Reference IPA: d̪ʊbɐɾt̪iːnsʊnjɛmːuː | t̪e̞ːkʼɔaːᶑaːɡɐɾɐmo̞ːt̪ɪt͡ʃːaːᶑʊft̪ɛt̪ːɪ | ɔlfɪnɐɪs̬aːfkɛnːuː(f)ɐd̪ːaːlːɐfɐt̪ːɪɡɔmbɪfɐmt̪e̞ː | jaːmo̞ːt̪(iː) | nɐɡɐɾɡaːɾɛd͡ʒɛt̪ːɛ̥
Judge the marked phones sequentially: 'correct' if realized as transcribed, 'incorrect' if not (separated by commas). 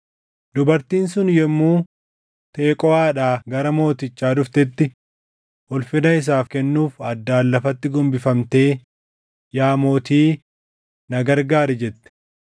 correct, correct